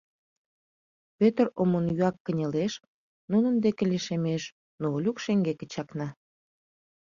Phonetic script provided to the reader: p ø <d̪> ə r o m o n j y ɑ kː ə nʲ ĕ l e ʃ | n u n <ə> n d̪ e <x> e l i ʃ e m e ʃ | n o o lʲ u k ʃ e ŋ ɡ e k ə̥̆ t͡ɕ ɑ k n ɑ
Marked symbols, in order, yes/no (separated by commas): no, yes, no